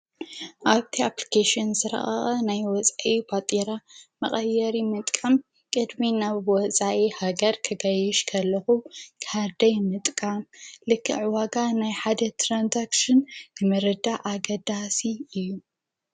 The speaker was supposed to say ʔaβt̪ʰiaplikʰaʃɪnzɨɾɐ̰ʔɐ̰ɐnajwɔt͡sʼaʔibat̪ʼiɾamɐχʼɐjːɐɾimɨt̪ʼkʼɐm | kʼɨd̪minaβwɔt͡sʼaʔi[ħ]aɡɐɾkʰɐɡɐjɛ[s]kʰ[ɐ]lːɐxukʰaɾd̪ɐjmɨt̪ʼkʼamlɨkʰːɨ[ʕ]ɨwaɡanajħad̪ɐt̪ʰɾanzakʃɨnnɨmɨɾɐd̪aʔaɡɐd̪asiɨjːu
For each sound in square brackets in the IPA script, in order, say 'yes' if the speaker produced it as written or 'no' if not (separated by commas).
no, no, yes, yes